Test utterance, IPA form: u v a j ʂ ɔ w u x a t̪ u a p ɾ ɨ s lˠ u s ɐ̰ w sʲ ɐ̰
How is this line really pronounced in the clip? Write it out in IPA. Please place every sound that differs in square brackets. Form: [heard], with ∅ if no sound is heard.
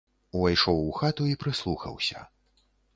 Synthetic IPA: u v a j ʂ ɔ w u x a t̪ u [i] p ɾ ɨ s lˠ u [x] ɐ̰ w sʲ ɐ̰